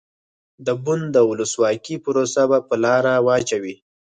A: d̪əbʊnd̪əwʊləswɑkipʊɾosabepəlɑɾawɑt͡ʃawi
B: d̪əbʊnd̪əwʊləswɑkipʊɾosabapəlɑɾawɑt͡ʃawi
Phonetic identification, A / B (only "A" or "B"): B